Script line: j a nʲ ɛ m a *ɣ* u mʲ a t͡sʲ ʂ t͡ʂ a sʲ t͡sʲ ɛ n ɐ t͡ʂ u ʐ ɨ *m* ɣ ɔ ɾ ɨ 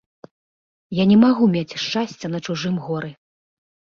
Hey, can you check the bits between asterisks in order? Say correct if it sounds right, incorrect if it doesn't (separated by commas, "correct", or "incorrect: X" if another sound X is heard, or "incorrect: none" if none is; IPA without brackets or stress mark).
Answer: correct, correct